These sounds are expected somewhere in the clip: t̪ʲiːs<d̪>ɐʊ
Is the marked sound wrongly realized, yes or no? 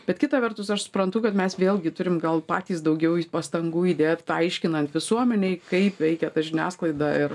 no